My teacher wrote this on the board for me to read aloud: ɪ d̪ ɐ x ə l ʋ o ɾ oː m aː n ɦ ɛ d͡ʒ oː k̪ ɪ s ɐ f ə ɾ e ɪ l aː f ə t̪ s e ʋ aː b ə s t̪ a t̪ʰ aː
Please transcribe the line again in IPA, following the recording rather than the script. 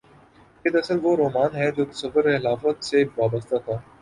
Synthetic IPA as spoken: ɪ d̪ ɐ s ə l ʋ o ɾ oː m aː n ɦ ɛ d͡ʒ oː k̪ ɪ s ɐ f ə ɾ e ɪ l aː f ə t̪ s e ʋ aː b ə s t̪ a t̪ʰ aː